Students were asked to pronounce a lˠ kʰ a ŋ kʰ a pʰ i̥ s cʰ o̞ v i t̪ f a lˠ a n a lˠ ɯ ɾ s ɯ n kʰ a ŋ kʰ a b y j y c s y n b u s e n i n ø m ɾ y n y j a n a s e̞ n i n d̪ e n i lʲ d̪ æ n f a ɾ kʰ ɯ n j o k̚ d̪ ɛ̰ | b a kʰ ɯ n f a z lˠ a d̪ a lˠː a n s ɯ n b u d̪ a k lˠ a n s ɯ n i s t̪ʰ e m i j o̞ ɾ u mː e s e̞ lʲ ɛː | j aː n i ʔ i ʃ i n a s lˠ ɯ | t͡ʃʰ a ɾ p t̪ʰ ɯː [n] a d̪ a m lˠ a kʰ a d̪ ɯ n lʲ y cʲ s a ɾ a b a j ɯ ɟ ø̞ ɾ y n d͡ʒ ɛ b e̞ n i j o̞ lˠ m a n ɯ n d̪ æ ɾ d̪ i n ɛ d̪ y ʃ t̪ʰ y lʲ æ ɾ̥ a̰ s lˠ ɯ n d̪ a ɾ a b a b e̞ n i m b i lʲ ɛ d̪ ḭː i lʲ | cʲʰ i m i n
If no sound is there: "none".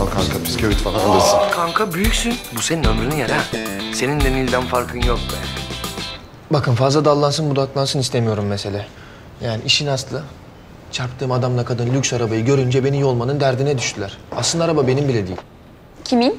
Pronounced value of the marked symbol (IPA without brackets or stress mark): m